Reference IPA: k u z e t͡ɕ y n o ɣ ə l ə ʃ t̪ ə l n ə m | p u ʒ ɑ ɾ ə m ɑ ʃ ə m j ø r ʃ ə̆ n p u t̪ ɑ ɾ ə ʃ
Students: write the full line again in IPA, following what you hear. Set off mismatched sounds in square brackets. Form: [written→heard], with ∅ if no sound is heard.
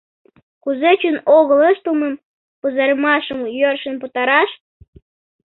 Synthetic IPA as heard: k u z e t͡ɕ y n o ɣ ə l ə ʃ t̪ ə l [n→m] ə m | p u [ʒ→z] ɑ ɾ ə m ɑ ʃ ə m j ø r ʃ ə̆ n p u t̪ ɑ ɾ [ə→ɑ] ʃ